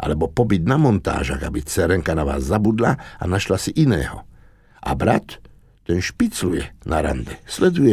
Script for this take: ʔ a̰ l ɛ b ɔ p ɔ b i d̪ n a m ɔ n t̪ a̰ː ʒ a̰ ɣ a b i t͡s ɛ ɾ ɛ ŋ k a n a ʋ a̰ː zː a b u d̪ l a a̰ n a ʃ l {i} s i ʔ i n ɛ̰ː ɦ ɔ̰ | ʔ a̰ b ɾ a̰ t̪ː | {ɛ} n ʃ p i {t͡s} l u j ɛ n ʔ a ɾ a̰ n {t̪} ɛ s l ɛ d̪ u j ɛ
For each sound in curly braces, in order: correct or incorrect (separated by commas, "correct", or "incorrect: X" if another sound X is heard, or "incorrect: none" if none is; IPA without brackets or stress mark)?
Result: incorrect: a, correct, correct, incorrect: d̪